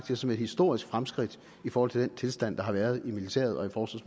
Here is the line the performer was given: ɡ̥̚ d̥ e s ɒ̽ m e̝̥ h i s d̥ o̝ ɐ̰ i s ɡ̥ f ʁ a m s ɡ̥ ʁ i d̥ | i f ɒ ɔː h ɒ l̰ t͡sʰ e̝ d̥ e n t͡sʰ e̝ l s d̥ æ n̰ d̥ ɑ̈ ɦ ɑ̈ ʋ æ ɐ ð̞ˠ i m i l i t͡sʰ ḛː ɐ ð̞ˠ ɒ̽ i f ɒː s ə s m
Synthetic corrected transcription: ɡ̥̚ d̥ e s ɒ̽ m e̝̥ h i s d̥ o̝ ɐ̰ i s ɡ̥ f ʁ a m s ɡ̥ ʁ i d̥ | i f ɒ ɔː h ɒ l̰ t͡sʰ e̝ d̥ e n t͡sʰ e̝ l s d̥ æ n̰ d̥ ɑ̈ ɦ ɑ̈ ʋ æ ɐ ð̞ˠ i m i l i t͡sʰ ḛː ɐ ð̞ˠ ɒ̽ i f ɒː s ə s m